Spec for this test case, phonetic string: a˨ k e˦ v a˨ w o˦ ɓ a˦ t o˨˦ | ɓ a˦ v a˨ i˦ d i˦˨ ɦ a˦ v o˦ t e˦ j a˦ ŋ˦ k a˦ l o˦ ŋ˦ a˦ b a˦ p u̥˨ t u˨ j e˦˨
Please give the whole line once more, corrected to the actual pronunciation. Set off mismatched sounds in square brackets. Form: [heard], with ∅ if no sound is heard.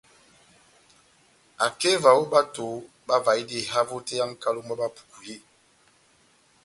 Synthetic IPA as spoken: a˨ k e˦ v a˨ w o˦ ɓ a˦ t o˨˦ | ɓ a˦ v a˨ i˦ d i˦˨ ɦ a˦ v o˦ t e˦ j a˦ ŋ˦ k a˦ l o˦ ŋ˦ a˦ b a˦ p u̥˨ [k] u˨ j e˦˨